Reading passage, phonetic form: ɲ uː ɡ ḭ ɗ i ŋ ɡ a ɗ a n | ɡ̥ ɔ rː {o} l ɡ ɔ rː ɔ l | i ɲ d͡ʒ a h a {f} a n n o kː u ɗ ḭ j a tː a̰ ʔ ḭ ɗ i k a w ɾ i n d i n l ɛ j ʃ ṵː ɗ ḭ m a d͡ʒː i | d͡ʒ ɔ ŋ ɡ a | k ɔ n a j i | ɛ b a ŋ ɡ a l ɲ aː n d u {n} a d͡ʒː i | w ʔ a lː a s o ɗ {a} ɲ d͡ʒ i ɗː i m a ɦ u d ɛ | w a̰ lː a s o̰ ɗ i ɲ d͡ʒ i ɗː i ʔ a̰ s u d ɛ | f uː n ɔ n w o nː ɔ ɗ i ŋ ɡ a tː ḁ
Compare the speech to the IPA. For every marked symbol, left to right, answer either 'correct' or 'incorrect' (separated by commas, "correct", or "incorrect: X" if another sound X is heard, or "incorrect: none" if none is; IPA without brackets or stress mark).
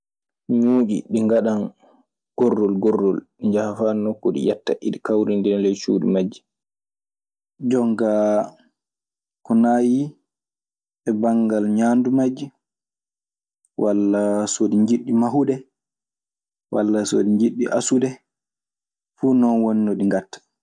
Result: incorrect: ɔ, correct, incorrect: m, incorrect: i